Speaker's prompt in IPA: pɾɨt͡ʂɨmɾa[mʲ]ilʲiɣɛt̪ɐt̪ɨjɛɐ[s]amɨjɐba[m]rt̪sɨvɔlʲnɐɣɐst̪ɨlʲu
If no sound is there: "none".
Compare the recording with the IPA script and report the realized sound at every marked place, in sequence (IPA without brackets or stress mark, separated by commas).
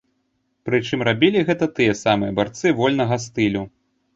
bʲ, s, none